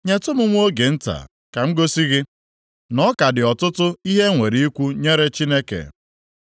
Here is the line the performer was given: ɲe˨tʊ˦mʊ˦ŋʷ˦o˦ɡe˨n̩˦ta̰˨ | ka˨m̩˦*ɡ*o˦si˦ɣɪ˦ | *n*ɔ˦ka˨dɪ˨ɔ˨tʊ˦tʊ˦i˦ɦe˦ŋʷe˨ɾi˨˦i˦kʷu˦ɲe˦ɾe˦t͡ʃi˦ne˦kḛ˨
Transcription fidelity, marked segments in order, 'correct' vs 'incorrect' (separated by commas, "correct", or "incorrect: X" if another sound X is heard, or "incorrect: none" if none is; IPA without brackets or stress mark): correct, correct